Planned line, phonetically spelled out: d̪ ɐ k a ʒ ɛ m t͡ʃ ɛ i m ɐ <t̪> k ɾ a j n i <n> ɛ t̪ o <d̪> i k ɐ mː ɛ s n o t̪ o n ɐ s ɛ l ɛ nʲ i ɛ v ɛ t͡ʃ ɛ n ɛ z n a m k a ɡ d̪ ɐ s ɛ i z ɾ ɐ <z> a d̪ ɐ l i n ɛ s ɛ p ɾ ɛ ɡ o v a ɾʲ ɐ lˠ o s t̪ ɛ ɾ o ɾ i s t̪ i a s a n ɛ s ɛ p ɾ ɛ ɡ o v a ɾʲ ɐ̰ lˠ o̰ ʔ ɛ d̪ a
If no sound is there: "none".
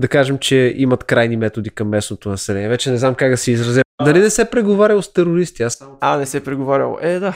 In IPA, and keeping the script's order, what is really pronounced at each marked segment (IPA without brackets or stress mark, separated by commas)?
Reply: t̪, m, d̪, z